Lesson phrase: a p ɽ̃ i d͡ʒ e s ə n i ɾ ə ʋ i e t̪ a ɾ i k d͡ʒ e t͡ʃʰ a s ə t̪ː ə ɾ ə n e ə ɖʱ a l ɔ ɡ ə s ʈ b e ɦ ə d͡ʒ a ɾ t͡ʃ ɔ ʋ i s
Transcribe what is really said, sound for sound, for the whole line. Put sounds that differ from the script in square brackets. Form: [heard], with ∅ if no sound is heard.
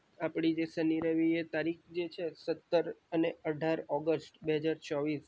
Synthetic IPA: a p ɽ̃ i d͡ʒ e s ə n i ɾ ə ʋ i e t̪ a ɾ i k d͡ʒ e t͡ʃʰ [e] s ə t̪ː ə ɾ ə n e ə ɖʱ a [ɾ] ɔ ɡ ə s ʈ b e ɦ ə d͡ʒ a ɾ t͡ʃ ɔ ʋ i s